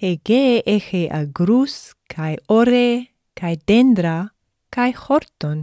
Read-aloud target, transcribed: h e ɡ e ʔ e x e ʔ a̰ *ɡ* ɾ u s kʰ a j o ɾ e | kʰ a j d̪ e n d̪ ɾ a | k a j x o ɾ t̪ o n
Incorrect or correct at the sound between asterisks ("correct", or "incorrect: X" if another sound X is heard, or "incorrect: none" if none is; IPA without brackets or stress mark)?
correct